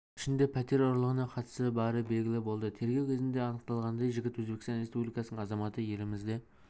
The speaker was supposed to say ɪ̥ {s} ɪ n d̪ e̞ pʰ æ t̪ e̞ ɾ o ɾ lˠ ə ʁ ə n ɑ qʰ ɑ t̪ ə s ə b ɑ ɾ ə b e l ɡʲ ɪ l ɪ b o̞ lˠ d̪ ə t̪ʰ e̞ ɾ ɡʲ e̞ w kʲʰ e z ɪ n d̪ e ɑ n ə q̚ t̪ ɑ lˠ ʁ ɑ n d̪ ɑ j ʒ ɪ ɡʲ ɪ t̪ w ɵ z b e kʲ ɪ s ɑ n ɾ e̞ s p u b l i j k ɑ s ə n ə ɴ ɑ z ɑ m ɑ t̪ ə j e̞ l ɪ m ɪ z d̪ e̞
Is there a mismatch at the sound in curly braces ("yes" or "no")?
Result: yes